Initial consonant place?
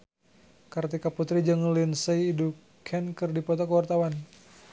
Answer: velar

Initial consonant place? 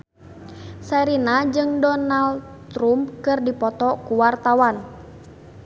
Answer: alveolar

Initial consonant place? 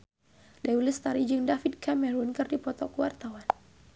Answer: alveolar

